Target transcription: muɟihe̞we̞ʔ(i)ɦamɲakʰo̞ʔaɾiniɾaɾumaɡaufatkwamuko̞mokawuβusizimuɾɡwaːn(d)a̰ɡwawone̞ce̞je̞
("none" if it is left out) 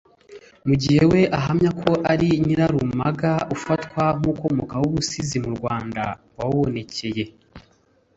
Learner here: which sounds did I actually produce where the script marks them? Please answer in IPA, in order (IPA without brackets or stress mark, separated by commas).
a, d